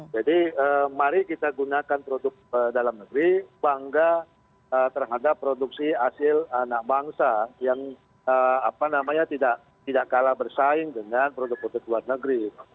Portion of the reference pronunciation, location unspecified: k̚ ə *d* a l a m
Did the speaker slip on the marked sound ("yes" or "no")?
no